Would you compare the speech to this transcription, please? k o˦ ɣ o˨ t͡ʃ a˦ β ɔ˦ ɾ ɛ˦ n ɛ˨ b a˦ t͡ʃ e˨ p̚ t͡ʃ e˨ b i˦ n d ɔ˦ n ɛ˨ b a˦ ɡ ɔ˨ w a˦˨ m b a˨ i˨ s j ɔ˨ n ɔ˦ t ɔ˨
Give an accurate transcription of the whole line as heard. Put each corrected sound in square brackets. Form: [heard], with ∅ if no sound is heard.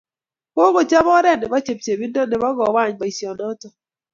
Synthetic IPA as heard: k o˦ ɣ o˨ t͡ʃ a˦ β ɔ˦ ɾ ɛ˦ n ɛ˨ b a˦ t͡ʃ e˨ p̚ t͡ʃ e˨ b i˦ n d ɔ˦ n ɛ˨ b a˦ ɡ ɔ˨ w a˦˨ [ɲ] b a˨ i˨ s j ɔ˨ n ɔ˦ t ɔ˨